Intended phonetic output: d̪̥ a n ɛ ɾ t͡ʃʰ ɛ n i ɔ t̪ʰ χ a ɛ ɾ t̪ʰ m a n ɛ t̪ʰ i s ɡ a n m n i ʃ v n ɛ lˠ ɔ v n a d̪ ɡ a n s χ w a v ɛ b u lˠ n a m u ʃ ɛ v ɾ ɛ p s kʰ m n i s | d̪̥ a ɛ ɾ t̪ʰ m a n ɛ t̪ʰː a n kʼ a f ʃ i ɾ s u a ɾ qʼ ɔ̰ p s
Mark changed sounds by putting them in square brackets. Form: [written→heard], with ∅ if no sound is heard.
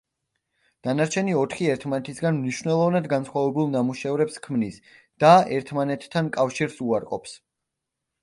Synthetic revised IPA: d̪̥ a n [ɛ→a] ɾ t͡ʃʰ ɛ n i ɔ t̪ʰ χ [a→i] ɛ ɾ t̪ʰ m a n ɛ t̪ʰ i s ɡ a n m n i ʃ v n ɛ lˠ ɔ v n a d̪ ɡ a n s χ w a v ɛ b u lˠ n a m u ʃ ɛ v ɾ ɛ p s kʰ m n i s | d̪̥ a ɛ ɾ t̪ʰ m a n ɛ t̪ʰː a n kʼ a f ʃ i ɾ s u a ɾ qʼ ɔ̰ p s